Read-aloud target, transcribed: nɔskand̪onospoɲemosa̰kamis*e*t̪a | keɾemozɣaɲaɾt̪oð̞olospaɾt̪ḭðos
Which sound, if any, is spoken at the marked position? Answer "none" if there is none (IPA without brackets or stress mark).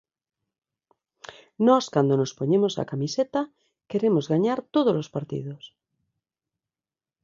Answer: e